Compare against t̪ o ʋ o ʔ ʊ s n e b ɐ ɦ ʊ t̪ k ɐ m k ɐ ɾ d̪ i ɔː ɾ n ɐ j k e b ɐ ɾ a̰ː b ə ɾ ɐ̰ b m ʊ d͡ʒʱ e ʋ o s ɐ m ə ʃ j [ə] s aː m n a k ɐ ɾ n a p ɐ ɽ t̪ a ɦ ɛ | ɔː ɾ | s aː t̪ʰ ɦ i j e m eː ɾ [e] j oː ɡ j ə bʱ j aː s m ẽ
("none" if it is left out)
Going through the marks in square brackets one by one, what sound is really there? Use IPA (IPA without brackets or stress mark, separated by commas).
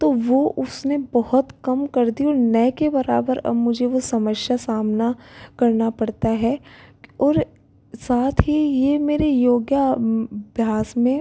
a, e